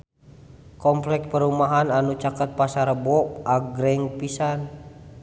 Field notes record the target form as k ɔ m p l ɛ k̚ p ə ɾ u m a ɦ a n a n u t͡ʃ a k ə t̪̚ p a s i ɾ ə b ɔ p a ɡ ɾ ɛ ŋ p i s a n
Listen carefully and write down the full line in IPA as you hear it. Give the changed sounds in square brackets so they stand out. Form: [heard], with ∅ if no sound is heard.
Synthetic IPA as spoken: k ɔ m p l ɛ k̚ p ə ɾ u m a ɦ a n a n u t͡ʃ a k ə t̪̚ p a s [a] ɾ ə b ɔ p a ɡ ɾ ɛ ŋ p i s a n